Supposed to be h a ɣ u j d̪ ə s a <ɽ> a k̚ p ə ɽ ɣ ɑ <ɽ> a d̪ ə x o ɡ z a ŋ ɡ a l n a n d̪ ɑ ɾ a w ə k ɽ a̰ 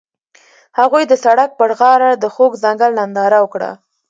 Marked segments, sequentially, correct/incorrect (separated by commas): correct, incorrect